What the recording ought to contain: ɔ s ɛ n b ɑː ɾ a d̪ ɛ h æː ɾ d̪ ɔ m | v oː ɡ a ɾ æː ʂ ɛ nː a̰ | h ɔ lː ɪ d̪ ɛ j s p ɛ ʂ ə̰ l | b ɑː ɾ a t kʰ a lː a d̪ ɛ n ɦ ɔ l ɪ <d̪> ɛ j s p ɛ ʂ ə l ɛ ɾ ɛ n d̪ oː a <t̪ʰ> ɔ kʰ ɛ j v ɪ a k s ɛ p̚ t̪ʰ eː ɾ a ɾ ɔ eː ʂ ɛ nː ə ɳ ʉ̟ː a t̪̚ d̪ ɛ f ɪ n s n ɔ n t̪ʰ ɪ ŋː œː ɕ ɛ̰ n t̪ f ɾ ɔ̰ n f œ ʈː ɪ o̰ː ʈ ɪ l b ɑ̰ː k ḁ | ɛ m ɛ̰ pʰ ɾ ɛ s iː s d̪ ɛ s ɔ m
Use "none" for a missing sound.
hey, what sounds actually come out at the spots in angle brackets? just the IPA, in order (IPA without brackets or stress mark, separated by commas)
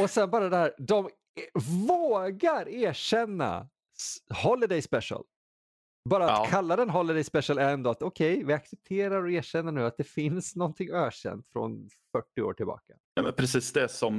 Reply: d̪, t̪